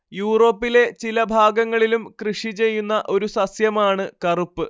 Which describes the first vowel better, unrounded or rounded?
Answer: rounded